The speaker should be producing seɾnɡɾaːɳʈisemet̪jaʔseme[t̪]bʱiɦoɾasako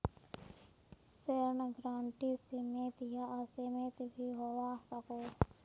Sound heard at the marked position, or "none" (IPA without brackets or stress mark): t̪